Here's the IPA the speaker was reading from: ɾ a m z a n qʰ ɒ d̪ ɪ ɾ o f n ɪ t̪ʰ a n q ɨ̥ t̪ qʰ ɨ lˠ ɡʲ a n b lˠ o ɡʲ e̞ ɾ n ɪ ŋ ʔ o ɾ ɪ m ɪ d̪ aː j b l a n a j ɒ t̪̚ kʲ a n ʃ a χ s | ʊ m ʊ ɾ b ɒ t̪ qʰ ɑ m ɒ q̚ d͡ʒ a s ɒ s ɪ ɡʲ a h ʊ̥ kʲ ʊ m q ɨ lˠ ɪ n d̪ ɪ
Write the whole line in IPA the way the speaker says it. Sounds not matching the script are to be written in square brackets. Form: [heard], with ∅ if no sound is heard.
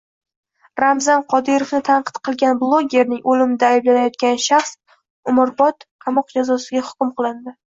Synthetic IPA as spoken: ɾ a m z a n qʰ ɒ d̪ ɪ ɾ o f n ɪ t̪ʰ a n q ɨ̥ t̪ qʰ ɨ lˠ ɡʲ a n b lˠ o ɡʲ e̞ ɾ n ɪ ŋ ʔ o [l] ɪ m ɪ d̪ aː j b l a n a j ɒ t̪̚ kʲ a n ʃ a χ s | ʊ m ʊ ɾ b ɒ t̪ qʰ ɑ m ɒ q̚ d͡ʒ a [z] ɒ s ɪ ɡʲ a h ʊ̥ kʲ ʊ m q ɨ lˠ ɪ n d̪ ɪ